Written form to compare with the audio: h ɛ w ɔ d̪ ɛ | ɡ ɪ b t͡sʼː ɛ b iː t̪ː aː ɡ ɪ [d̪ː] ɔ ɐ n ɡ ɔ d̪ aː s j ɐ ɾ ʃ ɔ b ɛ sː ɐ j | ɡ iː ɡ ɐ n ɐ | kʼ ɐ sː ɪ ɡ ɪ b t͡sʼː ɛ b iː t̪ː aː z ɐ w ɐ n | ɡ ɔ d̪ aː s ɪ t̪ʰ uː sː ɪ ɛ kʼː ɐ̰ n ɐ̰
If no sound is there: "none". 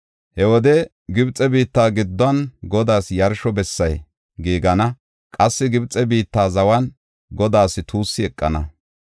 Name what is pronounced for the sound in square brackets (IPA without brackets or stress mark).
d̪ː